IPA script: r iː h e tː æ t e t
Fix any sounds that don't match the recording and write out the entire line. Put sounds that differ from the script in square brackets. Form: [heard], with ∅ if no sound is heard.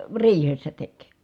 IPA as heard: r iː h e [sː] æ t e [k]